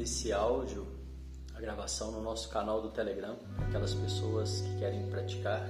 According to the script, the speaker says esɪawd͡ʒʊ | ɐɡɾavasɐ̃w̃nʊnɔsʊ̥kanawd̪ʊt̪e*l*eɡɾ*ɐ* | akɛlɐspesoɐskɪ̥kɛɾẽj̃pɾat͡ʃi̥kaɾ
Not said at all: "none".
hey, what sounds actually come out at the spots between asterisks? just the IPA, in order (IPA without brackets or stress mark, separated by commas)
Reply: l, ɐ̃